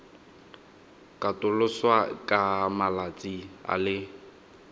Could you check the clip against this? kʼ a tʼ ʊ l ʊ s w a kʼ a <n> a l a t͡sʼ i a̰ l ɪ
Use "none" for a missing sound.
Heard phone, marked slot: m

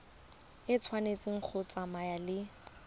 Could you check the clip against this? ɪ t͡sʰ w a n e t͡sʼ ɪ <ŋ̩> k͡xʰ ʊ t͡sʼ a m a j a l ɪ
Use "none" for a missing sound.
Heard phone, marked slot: ŋ̩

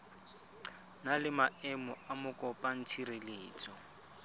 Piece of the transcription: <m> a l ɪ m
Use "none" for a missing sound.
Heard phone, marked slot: n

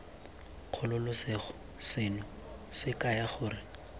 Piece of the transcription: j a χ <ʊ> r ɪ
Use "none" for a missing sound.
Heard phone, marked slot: ʊː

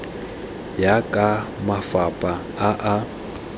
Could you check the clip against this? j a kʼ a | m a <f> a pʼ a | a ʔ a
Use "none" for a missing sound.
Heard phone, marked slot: f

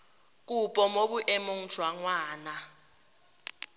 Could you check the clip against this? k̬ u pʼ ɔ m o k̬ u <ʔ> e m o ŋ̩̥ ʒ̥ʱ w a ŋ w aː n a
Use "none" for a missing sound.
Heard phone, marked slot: ʔ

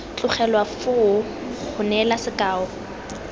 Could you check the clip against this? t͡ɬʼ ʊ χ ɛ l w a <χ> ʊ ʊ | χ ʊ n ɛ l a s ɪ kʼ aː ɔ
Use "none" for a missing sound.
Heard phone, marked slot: f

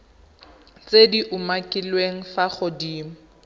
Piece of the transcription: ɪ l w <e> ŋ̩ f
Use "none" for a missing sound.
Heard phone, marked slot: e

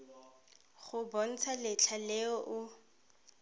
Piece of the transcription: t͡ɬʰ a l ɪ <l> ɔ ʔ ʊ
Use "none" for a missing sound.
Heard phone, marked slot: none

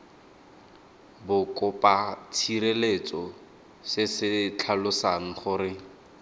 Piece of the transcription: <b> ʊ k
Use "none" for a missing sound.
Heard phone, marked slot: b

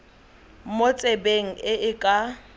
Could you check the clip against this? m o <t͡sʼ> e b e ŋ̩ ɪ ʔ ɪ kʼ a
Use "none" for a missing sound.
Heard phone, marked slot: t͡sʼ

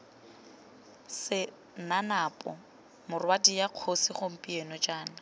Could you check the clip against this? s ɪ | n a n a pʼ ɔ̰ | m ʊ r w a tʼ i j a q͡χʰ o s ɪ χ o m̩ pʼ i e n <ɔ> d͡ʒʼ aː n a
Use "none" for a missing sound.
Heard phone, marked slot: ɔ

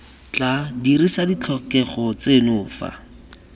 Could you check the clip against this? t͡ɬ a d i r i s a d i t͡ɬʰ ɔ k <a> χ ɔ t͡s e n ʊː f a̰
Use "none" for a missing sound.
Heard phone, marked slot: ɛ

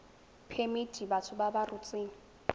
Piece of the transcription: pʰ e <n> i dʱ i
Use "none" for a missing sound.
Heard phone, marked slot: m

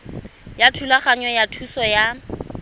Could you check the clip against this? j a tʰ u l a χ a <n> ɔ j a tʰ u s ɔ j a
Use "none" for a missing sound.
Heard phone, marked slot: ɲ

